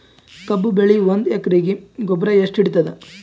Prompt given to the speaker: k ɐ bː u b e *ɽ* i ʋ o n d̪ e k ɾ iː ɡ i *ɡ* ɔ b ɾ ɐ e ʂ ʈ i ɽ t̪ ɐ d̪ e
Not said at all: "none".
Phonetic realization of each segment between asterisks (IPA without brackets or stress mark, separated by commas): ɭ, ɡ